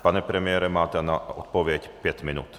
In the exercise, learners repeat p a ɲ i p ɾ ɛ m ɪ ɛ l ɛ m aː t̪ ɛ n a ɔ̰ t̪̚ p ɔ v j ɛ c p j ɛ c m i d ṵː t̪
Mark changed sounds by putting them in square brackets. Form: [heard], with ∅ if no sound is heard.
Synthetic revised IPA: p a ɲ [ɛ] p ɾ ɛ m ɪ ɛ [ɾ] ɛ m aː t̪ ɛ n a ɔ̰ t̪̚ p ɔ [ʋ] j ɛ c p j ɛ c m i [n] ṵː t̪